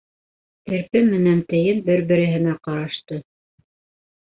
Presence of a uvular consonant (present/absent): present